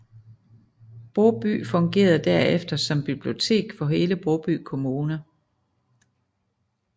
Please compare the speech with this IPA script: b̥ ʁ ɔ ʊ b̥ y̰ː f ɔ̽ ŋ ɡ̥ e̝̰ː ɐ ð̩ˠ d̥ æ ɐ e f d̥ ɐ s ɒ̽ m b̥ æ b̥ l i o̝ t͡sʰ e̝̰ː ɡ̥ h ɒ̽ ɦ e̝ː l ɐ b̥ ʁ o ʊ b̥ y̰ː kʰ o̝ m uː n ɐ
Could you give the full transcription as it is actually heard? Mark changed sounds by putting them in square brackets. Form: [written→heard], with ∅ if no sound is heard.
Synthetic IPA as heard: b̥ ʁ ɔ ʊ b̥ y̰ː f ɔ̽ ŋ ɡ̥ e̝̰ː ɐ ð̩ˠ d̥ æ ɐ e f d̥ ɐ s ɒ̽ m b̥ [æ→i] b̥ l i o̝ t͡sʰ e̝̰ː ɡ̥ [h→f] ɒ̽ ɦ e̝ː l [ɐ→ə] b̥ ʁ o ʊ b̥ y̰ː kʰ o̝ m uː n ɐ